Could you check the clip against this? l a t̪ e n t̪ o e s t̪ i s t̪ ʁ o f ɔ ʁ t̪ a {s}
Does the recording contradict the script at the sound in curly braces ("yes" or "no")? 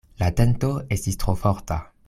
yes